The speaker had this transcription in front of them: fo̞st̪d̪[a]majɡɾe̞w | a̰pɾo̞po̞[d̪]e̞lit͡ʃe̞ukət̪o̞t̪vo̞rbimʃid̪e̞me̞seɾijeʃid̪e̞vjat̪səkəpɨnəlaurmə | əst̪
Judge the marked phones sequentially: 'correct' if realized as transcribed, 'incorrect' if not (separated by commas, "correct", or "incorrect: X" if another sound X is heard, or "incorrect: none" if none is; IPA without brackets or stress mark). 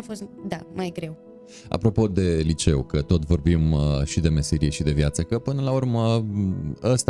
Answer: correct, correct